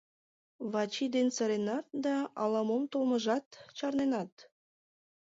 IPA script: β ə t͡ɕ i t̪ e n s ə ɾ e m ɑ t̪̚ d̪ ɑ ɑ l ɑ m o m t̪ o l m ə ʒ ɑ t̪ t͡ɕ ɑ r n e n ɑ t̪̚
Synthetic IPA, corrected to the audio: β ɑ t͡ɕ i d̪ e n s ə ɾ e n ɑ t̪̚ d̪ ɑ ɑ l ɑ m o m t̪ o l m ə ʒ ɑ t̪ t͡ɕ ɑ r n e n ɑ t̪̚